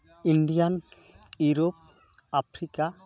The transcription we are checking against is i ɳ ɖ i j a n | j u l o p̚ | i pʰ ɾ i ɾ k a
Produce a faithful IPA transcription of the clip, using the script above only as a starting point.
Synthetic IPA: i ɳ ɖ i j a n | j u ɾ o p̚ | a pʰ ɾ i k a